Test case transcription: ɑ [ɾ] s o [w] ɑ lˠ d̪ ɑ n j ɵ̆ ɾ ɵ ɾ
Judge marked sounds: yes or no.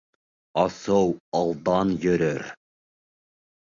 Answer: no, yes

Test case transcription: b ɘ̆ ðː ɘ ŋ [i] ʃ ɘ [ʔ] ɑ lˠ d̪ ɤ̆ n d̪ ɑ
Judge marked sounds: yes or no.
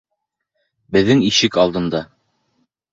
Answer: yes, no

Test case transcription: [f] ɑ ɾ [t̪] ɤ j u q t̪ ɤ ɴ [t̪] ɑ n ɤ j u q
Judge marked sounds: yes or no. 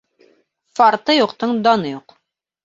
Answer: yes, yes, no

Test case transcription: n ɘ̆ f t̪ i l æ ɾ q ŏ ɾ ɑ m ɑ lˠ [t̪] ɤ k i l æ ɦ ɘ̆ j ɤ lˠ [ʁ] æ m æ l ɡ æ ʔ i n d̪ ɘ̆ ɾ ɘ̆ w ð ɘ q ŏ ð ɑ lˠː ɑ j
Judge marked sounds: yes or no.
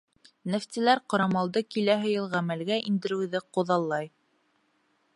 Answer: no, yes

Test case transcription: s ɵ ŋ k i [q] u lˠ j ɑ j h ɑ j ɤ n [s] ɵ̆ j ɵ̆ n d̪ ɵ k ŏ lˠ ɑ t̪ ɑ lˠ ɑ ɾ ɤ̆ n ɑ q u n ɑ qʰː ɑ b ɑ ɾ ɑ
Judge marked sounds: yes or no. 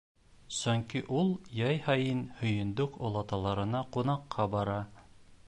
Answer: no, no

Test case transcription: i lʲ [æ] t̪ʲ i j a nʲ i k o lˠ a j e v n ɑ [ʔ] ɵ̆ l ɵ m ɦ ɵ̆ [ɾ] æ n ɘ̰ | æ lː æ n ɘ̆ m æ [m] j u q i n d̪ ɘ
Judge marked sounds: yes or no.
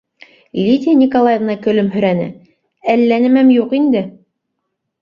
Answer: no, no, yes, yes

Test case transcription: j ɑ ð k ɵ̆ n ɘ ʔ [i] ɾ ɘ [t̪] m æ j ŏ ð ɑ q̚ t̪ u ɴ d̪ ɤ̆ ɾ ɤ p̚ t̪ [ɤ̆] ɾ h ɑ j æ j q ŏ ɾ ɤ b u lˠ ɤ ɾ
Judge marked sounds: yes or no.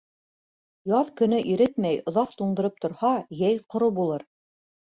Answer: yes, yes, no

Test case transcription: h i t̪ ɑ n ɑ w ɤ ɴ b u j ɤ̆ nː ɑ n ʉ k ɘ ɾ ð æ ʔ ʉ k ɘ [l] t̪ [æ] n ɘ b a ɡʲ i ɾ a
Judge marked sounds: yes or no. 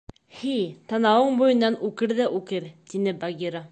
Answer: no, no

